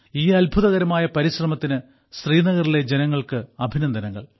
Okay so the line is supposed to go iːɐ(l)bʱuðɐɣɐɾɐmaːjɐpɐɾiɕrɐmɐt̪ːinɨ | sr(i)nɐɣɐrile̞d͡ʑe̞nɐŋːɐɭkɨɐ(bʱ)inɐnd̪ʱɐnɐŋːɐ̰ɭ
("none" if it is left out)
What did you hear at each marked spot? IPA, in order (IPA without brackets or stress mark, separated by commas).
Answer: l, iː, bʱ